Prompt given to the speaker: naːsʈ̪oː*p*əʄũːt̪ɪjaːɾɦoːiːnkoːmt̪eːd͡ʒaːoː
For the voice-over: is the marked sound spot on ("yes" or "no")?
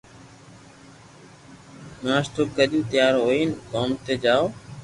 no